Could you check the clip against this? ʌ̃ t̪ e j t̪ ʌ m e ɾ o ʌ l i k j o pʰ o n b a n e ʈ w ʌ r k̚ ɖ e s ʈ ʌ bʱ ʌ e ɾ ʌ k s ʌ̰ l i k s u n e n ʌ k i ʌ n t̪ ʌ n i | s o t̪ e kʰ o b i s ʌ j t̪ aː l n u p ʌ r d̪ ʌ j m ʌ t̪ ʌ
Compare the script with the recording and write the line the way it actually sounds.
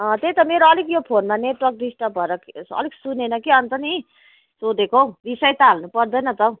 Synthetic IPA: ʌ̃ t̪ e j t̪ ʌ m e ɾ o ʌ l i k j o pʰ o n m a n e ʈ w ʌ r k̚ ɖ i s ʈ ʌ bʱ ʌ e ɾ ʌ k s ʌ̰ l i k s u n e n ʌ k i ʌ n t̪ ʌ n i | s o d̪ e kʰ o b i s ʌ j t̪ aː l n u p ʌ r d̪ ʌ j n ʌ t̪ ʌ